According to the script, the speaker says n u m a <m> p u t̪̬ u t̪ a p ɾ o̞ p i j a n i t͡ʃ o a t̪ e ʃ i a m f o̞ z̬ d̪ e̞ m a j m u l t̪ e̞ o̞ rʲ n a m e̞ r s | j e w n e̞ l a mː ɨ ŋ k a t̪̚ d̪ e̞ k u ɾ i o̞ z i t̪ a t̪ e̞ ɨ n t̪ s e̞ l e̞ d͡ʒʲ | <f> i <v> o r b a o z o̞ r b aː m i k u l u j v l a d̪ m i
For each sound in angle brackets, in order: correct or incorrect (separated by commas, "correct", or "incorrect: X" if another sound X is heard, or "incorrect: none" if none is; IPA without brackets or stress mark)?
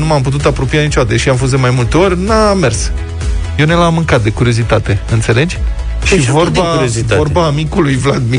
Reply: correct, incorrect: ʃ, correct